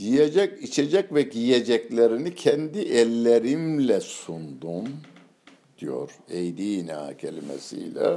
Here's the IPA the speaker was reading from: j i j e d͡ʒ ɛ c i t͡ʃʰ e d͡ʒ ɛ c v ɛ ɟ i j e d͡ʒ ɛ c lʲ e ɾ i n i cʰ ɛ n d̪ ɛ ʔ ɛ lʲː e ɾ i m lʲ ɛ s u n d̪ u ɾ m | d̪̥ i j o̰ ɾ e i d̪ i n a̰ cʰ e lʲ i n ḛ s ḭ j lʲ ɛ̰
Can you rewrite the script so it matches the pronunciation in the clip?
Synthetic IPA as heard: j i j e d͡ʒ ɛ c i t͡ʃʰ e d͡ʒ ɛ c v ɛ ɟ i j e d͡ʒ ɛ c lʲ e ɾ i n i cʰ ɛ n d̪ i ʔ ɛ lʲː e ɾ i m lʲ ɛ s u n d̪ u m | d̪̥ i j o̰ ɾ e j d̪ i n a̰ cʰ e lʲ i m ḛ s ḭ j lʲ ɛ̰